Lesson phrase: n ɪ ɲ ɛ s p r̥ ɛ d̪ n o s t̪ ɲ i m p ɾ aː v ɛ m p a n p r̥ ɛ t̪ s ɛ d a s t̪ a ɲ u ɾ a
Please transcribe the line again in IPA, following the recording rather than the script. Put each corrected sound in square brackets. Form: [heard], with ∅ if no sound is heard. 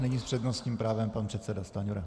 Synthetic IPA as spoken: n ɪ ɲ [i] s p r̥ ɛ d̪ n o s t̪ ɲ i m p ɾ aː v ɛ m p a n p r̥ ɛ t̪ s ɛ d a s t̪ a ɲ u ɾ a